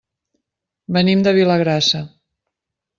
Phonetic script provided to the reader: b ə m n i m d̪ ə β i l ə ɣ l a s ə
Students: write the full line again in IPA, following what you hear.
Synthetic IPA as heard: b ə n i m d̪ ə β i l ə ɣ ɾ a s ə